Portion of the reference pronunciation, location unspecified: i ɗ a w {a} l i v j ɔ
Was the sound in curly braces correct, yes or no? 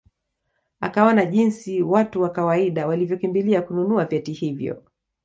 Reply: yes